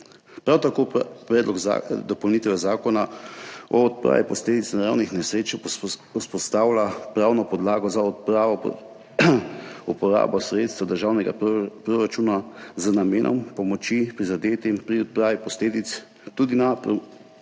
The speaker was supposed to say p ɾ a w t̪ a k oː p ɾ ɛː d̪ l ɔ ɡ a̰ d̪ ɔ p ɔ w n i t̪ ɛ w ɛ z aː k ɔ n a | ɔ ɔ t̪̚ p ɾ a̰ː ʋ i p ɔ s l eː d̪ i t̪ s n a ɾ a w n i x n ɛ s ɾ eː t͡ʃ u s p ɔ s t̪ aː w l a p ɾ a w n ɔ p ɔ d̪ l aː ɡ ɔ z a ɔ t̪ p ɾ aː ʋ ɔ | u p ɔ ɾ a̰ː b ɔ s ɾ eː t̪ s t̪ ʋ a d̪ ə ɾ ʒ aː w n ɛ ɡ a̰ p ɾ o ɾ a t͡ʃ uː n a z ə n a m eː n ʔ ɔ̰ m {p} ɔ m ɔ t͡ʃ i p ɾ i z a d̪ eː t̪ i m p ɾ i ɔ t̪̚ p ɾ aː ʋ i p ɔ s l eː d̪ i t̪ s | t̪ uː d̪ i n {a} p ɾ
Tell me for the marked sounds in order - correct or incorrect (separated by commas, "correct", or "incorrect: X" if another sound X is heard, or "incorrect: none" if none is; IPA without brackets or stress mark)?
correct, correct